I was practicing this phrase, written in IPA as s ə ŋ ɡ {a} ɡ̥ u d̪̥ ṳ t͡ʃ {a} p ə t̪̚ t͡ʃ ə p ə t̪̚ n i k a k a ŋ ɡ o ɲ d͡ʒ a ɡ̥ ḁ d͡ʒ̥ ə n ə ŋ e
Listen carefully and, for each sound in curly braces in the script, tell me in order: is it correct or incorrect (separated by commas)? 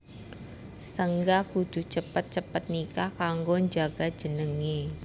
correct, incorrect